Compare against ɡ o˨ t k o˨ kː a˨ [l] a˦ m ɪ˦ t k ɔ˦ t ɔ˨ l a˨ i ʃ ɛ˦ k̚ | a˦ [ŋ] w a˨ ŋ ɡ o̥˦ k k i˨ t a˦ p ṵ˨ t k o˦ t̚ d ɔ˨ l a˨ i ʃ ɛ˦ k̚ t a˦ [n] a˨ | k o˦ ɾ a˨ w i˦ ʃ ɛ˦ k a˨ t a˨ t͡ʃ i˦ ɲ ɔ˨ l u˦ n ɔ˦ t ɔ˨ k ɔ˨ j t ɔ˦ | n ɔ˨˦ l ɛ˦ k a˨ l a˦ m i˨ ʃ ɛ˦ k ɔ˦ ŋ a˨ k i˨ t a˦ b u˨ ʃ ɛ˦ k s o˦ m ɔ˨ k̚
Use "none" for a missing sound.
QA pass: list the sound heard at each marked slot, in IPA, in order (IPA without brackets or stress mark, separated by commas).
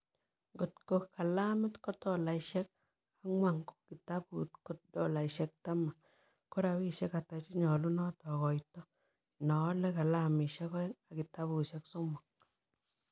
l, ŋ, m